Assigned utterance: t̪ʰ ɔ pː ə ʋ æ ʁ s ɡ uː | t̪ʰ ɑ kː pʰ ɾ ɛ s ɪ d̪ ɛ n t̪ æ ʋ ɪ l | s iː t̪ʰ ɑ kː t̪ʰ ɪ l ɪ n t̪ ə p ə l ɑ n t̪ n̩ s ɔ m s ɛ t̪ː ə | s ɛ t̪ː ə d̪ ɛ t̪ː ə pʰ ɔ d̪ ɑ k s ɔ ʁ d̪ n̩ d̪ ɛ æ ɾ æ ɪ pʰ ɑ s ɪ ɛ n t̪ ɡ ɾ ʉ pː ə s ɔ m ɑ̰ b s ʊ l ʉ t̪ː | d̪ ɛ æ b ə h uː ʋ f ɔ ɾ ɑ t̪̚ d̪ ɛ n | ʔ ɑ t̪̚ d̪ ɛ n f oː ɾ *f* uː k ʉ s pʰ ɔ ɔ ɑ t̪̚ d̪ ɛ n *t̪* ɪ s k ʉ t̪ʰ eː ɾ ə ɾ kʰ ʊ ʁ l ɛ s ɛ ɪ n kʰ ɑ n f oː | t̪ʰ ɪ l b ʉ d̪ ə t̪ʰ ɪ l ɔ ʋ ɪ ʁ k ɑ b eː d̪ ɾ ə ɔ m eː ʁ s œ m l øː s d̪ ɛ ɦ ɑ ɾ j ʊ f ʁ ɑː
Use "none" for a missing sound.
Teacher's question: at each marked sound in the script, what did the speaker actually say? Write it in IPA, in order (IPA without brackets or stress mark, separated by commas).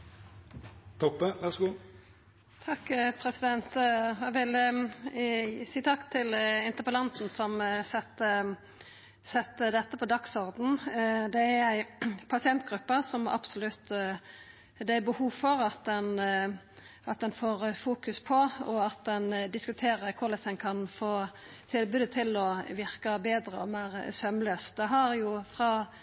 f, d̪